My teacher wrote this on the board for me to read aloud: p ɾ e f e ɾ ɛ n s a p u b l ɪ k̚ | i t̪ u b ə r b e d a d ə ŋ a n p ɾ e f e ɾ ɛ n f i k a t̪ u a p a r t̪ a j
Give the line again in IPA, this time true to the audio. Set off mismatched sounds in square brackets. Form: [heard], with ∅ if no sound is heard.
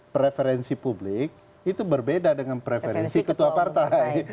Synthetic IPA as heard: p ɾ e f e ɾ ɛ n s [i] p u b l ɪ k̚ | i t̪ u b ə r b e d a d ə ŋ a n p ɾ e f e ɾ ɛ n [s] i k [ə] t̪ u a p a r t̪ a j

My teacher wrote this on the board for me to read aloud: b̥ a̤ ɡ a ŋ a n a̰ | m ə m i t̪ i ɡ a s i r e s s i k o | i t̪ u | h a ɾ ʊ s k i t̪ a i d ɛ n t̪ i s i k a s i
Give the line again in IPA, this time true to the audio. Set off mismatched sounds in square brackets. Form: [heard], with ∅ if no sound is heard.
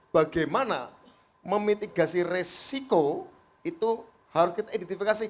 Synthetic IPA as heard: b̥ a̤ ɡ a [m] a n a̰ | m ə m i t̪ i ɡ a s i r e s s i k o | i t̪ u | h a ɾ ʊ s k i t̪ a i d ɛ n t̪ i [f] i k a s i

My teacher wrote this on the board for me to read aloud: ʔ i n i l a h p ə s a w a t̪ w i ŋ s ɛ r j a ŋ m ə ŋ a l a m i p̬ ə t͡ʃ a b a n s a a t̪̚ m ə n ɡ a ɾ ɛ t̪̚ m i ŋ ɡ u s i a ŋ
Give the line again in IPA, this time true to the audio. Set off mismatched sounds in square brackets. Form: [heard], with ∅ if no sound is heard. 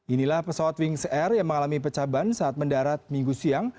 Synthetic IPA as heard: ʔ i n i l a h p ə s a w a t̪ w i ŋ s ɛ r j a ŋ m ə ŋ a l a m i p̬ ə t͡ʃ a b a n s a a t̪̚ m ə n [d] a ɾ [a] t̪̚ m i ŋ ɡ u s i a ŋ

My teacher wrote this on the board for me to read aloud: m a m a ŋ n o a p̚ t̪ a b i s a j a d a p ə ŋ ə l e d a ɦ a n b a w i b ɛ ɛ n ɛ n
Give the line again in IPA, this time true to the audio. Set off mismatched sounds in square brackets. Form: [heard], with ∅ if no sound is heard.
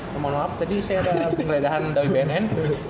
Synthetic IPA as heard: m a m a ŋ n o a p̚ t̪ a [d] i s a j a d a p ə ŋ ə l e d a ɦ a n [d] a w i b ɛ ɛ n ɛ n

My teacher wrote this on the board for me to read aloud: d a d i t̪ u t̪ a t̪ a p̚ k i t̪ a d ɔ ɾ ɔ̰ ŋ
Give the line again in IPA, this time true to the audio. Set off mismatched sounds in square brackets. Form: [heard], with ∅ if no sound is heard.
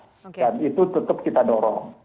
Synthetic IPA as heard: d a [n] i t̪ u t̪ [ə] t̪ [ə] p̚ k i t̪ a d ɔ ɾ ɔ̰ ŋ

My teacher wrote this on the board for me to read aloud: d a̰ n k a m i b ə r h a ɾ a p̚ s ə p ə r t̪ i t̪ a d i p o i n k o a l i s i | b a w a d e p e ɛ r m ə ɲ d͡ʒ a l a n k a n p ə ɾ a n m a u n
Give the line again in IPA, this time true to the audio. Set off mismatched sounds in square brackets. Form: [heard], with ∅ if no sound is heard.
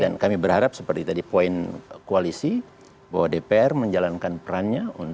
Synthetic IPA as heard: d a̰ n k a m i b ə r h a ɾ a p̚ s ə p ə r t̪ i t̪ a d i p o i n k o a l i s i | b a w a d e p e ɛ r m ə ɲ d͡ʒ a l a n k a n p ə ɾ a n [ɲ] a u n

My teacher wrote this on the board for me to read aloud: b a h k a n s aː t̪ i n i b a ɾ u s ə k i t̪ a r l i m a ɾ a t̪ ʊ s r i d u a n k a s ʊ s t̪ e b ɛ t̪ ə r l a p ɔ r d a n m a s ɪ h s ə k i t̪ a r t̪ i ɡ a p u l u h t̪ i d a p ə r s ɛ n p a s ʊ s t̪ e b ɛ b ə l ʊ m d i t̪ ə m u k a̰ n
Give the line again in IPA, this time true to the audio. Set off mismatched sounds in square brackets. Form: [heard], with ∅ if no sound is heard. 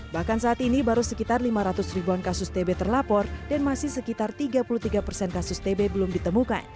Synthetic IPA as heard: b a h k a n s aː t̪ i n i b a ɾ u s ə k i t̪ a r l i m a ɾ a t̪ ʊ s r i [b] u a n k a s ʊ s t̪ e b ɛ t̪ ə r l a p ɔ r d a n m a s ɪ h s ə k i t̪ a r t̪ i ɡ a p u l u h t̪ i [ɡ] a p ə r s ɛ n [k] a s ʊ s t̪ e b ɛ b ə l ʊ m d i t̪ ə m u k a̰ n

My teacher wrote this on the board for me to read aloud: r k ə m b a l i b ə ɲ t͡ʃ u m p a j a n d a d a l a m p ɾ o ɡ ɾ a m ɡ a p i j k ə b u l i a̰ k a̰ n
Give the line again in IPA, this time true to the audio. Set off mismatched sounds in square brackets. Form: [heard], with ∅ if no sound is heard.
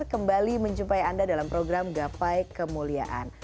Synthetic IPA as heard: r k ə m b a l i [m] ə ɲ t͡ʃ u m p a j a n d a d a l a m p ɾ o ɡ ɾ a m ɡ a p [a] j k ə [m] u l i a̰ [ʔ] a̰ n

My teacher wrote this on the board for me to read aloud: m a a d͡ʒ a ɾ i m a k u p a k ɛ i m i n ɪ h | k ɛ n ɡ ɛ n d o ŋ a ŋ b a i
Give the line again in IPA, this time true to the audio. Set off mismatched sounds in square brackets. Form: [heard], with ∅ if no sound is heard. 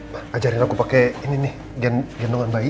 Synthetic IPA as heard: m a a d͡ʒ a ɾ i [n] a k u p a k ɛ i [n] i n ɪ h | [ɡ] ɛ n ɡ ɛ n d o ŋ a [n] b a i

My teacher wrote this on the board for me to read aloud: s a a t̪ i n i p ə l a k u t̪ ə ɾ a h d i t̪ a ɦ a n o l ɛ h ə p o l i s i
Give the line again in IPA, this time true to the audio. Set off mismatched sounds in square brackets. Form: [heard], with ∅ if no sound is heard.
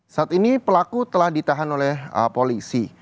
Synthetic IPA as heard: s a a t̪ i n i p ə l a k u t̪ ə [l] a h d i t̪ a ɦ a n o l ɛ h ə p o l i s i

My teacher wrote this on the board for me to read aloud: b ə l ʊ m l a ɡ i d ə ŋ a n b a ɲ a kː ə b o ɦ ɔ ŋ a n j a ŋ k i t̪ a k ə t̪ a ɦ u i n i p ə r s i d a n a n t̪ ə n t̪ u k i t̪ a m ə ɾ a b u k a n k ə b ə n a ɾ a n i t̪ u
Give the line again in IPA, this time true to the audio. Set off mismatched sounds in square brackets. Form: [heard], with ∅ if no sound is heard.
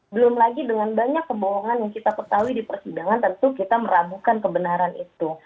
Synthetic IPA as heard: b ə l ʊ m l a ɡ i d ə ŋ a n b a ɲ a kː ə b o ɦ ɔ ŋ a n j a ŋ k i t̪ a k ə t̪ a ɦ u i [d] i p ə r s i d a [ŋ] a n t̪ ə n t̪ u k i t̪ a m ə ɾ a b u k a n k ə b ə n a ɾ a n i t̪ u

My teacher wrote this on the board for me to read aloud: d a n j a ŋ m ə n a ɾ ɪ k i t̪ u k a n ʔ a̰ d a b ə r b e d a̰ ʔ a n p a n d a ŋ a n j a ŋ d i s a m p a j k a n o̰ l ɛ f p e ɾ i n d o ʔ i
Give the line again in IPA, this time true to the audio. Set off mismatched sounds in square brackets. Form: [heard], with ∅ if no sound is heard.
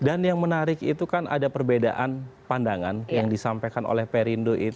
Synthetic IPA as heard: d a n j a ŋ m ə n a ɾ ɪ k i t̪ u k a n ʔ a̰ d a [p] ə r b e d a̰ ʔ a n p a n d a ŋ a n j a ŋ d i s a m p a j k a n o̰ l ɛ [h] p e ɾ i n d o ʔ i

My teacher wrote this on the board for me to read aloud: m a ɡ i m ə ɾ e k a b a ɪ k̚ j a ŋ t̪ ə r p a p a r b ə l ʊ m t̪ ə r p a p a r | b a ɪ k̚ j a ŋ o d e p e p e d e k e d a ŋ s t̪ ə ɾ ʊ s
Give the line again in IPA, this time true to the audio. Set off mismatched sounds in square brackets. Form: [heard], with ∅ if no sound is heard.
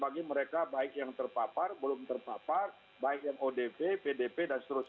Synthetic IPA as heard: [b] a ɡ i m ə ɾ e k a b a ɪ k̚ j a ŋ t̪ ə r p a p a r b ə l ʊ m t̪ ə r p a p a r | b a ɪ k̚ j a ŋ o d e p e p e d e [p] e d a [n] s t̪ ə ɾ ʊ s

